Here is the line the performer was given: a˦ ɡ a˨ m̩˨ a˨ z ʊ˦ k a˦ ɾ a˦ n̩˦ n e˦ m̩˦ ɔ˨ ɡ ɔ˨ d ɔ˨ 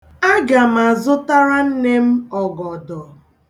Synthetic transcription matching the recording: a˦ ɡ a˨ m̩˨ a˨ z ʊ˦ t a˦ ɾ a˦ n̩˦ n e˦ m̩˦ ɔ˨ ɡ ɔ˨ d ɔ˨